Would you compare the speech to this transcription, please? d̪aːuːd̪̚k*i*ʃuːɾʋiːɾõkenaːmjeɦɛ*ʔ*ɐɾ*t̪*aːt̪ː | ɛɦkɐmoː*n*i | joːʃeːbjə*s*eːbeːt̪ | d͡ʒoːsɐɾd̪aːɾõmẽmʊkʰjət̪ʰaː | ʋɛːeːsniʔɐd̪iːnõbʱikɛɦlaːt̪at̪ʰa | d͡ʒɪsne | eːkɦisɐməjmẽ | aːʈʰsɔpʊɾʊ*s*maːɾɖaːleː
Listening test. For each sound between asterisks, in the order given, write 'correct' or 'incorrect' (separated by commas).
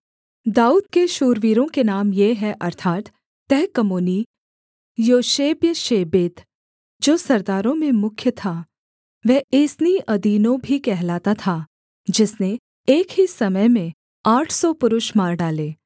incorrect, correct, incorrect, correct, incorrect, incorrect